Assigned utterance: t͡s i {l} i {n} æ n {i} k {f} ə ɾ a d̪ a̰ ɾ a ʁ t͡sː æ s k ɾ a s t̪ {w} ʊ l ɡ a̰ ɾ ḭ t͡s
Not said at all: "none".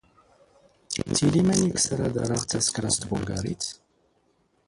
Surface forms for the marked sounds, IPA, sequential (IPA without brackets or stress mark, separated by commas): l, m, i, s, b